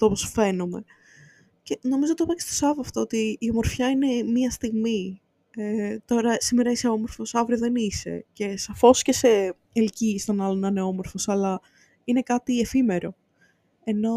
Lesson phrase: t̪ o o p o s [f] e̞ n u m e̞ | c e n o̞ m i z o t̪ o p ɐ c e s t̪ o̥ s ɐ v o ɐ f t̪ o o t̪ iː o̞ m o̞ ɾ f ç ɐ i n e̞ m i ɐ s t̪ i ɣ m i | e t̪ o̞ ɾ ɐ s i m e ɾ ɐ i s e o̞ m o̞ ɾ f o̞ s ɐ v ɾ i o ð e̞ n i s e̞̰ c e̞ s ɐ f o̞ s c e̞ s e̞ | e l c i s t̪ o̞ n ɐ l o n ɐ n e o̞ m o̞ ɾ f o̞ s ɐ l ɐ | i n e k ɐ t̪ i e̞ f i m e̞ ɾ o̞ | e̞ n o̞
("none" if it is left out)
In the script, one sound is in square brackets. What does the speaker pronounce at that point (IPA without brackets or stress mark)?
f